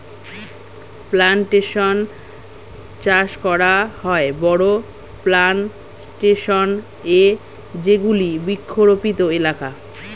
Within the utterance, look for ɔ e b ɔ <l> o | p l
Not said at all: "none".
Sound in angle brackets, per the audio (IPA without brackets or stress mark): ɽ